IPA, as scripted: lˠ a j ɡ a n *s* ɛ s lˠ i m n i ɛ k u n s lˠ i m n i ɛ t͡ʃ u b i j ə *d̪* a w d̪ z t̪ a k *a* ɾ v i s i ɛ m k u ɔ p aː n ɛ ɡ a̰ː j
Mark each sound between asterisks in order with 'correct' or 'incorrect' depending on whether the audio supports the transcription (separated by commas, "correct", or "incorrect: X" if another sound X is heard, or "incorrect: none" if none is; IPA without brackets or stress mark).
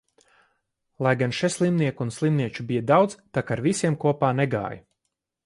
incorrect: ʃ, correct, correct